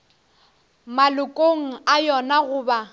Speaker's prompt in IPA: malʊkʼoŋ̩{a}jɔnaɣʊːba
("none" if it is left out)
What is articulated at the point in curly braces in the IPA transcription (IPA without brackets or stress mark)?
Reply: a